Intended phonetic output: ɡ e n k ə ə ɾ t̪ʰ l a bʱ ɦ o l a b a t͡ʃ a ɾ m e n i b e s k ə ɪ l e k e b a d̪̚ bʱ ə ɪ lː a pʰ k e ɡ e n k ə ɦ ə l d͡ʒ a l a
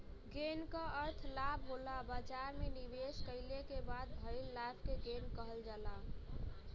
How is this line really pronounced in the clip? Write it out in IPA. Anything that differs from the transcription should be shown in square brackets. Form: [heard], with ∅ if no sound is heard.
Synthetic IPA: ɡ e n k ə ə ɾ t̪ʰ l a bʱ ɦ o l a b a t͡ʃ a ɾ m e n i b e s k ə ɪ l e k e b a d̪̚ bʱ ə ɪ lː a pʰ k e ɡ e n k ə ɦ ə l d͡ʒ a l a